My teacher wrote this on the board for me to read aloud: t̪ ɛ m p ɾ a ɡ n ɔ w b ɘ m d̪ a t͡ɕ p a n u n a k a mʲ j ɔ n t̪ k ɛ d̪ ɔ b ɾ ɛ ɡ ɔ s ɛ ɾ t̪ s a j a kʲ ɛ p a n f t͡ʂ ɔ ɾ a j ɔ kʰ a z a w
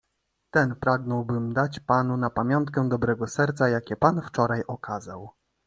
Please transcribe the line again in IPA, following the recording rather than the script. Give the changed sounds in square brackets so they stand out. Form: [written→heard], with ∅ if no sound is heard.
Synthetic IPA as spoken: t̪ ɛ [m→n] p ɾ a ɡ n ɔ w b ɘ m d̪ a t͡ɕ p a n u n a [k→p] a mʲ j ɔ n t̪ k ɛ d̪ ɔ b ɾ ɛ ɡ ɔ s ɛ ɾ t̪ s a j a kʲ ɛ p a n f t͡ʂ ɔ ɾ a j ɔ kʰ a z a w